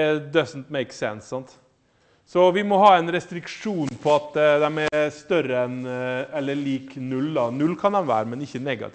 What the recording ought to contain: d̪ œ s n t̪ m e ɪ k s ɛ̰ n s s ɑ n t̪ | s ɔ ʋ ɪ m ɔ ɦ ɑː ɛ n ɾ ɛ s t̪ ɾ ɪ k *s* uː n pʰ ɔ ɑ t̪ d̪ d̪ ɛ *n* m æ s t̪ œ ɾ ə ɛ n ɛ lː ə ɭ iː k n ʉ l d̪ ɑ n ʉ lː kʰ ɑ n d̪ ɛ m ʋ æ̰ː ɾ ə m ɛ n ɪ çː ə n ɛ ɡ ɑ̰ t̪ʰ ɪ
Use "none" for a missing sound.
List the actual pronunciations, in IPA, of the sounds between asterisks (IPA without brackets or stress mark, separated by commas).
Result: ʂ, none